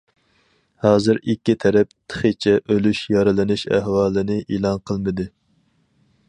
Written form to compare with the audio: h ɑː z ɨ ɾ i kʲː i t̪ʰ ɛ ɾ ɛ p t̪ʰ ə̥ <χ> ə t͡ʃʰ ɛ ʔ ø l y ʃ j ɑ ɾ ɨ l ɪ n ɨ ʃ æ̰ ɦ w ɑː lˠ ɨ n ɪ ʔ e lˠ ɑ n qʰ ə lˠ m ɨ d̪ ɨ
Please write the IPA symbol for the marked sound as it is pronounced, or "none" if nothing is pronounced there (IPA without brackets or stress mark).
χ